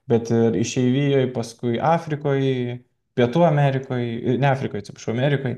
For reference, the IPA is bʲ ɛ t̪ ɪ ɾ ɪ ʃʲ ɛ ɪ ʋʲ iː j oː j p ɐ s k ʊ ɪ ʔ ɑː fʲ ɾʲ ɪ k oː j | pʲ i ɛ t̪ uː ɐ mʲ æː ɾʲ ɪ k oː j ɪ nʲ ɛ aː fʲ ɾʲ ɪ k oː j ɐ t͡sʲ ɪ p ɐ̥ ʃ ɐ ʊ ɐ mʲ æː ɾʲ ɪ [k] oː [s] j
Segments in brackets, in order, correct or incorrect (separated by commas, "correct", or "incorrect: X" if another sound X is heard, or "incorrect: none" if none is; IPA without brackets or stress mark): correct, incorrect: none